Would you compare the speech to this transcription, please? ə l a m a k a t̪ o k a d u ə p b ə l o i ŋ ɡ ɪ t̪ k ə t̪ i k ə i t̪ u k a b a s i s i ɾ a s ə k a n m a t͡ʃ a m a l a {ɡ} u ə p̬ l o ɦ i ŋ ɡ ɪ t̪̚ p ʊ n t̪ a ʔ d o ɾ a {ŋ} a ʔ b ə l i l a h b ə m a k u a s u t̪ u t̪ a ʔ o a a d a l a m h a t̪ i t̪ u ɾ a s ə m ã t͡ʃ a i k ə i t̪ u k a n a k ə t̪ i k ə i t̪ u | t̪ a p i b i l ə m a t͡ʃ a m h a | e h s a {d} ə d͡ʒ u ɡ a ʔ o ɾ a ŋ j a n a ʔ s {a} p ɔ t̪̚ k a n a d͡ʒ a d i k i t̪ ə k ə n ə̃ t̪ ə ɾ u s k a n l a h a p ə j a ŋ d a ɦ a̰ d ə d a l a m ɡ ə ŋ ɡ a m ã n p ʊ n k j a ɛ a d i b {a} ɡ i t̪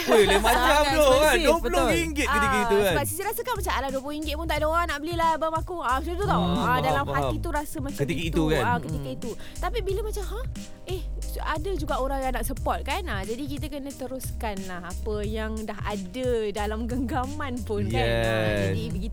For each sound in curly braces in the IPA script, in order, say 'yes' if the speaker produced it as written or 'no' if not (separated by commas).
no, no, yes, no, no